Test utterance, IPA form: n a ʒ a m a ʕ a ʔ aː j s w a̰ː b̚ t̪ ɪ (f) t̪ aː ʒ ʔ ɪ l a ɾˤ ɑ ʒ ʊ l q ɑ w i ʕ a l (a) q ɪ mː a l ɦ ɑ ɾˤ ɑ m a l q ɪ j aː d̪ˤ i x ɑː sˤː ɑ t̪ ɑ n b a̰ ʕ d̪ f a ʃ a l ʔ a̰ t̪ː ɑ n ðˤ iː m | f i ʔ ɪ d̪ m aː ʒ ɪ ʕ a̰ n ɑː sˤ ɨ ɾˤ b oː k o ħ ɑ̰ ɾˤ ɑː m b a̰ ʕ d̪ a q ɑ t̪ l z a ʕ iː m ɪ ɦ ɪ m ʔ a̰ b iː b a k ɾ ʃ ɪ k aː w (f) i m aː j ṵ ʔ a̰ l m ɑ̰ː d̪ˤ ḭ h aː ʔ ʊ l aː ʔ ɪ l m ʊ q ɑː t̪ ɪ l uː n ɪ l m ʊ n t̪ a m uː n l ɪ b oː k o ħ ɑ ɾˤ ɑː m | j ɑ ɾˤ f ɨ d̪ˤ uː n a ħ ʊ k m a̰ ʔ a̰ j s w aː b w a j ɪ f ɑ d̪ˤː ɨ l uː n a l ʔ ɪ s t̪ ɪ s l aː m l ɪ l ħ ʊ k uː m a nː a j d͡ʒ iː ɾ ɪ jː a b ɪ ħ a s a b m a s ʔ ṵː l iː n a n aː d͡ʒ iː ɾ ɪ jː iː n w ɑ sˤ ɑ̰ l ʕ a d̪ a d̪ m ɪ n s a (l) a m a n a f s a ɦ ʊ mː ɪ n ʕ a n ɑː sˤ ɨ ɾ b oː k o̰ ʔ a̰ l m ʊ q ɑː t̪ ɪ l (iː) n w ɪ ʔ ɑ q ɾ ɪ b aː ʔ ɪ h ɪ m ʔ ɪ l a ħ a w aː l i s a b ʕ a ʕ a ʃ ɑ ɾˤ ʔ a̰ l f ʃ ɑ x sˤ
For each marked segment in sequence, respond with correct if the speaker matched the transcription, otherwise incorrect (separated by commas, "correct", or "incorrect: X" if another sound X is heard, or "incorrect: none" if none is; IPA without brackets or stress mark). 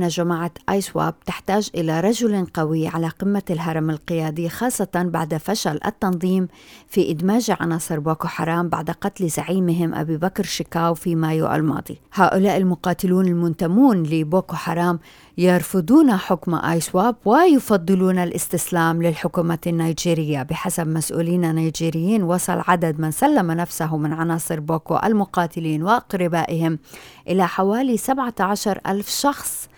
incorrect: ħ, correct, correct, incorrect: lː, correct